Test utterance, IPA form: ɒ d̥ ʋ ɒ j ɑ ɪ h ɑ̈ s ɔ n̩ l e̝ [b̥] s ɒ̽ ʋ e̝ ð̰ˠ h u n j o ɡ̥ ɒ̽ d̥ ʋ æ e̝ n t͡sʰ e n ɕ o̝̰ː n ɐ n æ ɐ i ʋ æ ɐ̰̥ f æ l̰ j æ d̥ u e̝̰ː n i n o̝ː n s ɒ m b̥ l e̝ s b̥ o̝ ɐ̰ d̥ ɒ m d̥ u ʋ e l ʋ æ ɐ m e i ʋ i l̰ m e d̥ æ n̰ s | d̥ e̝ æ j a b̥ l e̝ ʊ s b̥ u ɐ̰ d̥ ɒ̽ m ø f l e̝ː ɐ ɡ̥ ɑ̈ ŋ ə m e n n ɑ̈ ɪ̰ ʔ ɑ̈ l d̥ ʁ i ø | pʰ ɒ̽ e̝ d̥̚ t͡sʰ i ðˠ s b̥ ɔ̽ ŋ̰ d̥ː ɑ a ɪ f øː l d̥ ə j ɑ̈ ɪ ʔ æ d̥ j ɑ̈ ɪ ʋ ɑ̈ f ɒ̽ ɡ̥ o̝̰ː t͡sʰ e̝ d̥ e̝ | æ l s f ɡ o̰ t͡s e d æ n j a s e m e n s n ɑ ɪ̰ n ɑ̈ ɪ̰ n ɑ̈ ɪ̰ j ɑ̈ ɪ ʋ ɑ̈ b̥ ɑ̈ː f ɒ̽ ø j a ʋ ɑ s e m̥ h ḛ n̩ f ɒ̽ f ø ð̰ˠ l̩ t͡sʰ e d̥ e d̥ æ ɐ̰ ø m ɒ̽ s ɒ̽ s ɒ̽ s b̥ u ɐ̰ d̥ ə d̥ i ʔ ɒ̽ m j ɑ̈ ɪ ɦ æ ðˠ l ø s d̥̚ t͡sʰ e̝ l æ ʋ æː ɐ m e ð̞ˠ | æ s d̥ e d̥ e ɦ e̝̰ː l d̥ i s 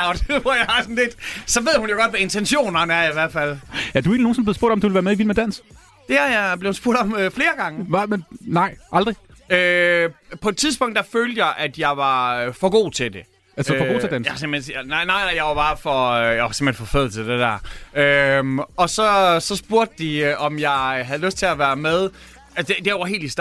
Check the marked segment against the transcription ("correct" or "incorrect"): incorrect